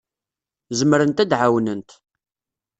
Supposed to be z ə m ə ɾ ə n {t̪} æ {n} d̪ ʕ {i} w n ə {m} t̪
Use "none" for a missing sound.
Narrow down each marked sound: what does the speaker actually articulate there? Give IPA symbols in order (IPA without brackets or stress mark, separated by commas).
t̪, none, a, n